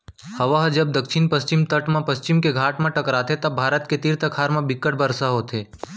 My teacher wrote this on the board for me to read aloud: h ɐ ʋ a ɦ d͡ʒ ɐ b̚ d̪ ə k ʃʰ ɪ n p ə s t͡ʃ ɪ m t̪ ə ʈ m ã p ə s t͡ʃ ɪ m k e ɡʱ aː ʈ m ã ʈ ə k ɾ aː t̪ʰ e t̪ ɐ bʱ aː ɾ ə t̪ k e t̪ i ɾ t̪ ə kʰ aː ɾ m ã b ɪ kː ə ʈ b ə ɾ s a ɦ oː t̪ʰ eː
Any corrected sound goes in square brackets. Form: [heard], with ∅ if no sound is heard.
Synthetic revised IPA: h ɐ ʋ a ɦ d͡ʒ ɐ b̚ d̪ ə k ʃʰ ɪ n p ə s t͡ʃ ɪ m t̪ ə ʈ m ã p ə s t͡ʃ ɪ m k e ɡʱ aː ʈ m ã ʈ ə k ɾ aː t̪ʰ e t̪ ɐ bʱ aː ɾ ə t̪ k e t̪ i ɾ t̪ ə kʰ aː ɾ m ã b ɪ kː ə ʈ b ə ɾ s a ɦ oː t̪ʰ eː